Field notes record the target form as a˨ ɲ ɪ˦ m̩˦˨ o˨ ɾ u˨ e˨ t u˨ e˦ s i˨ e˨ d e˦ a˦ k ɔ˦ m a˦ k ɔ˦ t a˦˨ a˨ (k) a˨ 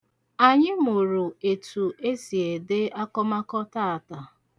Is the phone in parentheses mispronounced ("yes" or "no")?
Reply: yes